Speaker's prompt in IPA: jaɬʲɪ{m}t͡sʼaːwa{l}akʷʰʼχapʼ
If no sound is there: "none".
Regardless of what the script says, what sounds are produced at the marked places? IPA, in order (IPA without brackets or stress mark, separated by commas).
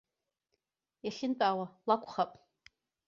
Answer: n, l